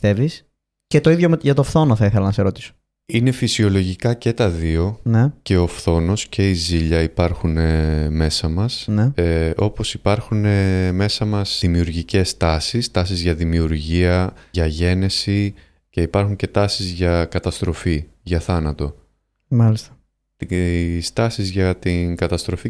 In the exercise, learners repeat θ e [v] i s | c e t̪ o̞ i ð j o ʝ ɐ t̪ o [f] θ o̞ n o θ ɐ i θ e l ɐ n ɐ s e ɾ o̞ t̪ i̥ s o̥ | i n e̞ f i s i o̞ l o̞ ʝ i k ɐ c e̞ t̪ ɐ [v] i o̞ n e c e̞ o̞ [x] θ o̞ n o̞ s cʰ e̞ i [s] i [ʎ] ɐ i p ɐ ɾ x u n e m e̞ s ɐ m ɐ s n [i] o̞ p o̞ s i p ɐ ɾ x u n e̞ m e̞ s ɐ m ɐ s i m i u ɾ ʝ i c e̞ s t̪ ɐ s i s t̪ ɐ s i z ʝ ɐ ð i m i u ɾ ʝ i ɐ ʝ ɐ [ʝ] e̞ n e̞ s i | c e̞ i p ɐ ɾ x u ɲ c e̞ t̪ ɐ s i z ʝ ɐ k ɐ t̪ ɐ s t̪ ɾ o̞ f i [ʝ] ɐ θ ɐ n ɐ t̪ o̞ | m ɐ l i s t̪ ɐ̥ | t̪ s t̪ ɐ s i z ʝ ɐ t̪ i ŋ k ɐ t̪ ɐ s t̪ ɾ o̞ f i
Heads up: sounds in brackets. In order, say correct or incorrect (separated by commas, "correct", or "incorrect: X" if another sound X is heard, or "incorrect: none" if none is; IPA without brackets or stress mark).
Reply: correct, correct, incorrect: ð, incorrect: f, incorrect: z, correct, incorrect: e, correct, correct